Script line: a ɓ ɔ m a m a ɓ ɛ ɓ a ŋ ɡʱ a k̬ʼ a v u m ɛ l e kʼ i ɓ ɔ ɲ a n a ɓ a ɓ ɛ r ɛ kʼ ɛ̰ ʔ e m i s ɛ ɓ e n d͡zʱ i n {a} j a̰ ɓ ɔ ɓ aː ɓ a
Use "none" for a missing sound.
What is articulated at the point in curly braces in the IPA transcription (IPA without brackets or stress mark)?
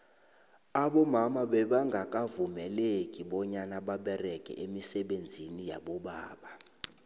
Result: i